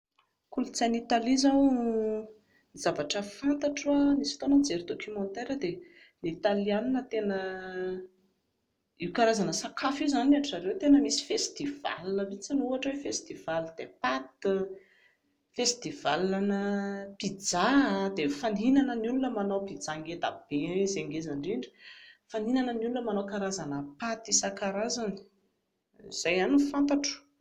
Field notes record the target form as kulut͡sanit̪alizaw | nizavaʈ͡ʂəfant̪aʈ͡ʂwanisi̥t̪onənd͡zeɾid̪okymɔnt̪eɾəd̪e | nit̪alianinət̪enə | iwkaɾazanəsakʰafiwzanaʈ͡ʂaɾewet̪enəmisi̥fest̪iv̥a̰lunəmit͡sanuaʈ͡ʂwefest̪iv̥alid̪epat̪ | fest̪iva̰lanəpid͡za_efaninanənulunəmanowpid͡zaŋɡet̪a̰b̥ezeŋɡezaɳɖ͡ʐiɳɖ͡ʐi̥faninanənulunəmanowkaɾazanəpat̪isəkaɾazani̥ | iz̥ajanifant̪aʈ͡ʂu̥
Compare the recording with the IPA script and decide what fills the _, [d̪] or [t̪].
d̪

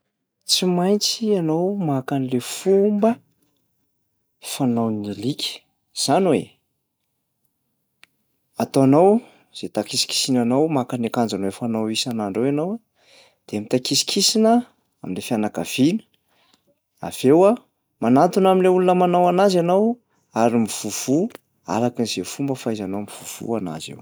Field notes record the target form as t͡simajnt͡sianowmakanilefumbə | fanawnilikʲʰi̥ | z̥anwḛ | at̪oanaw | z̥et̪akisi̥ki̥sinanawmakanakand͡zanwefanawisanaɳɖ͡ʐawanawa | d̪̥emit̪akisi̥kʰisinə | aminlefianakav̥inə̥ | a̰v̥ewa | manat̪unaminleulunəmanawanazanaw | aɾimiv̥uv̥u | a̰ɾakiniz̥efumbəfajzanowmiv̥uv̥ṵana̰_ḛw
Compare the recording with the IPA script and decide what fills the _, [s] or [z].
z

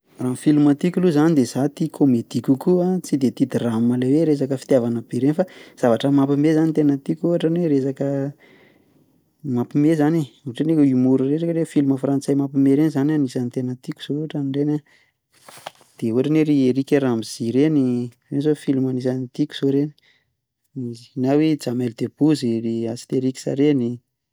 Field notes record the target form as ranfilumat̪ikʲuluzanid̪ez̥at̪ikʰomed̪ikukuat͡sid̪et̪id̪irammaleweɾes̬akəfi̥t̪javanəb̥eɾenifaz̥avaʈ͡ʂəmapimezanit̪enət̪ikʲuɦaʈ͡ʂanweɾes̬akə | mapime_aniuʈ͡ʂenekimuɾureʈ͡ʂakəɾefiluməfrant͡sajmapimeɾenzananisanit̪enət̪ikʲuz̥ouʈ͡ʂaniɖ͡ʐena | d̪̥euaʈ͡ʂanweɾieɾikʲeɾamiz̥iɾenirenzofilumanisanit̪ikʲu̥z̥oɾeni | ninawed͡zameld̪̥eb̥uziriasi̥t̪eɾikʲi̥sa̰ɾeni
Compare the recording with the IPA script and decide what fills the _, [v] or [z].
z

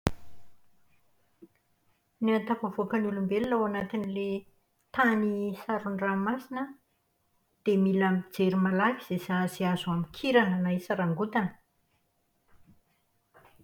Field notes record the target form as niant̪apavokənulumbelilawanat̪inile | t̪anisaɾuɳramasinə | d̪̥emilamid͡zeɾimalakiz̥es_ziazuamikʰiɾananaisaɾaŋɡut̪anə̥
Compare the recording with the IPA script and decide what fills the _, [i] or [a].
a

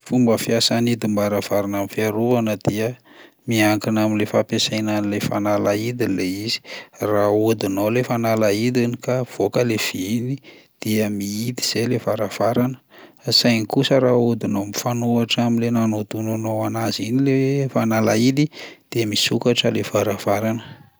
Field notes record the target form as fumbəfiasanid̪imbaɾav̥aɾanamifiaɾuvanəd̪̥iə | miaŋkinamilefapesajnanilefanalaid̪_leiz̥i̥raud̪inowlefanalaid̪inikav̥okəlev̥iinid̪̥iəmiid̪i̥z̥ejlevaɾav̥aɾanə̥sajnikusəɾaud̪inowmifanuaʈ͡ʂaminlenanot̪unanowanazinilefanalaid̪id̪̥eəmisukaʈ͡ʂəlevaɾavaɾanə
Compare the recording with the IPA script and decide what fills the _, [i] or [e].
i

